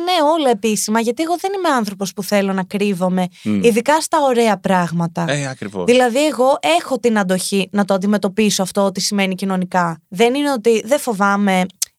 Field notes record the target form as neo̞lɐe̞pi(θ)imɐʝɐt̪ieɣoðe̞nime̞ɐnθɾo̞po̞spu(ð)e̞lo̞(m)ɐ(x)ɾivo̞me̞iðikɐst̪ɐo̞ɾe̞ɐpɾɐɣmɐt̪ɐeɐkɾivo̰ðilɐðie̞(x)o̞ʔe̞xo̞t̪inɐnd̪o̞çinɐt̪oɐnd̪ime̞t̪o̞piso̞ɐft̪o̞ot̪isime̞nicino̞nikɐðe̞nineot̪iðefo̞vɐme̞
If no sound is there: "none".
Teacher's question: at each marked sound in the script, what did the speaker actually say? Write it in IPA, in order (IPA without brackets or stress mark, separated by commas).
s, θ, n, k, ɣ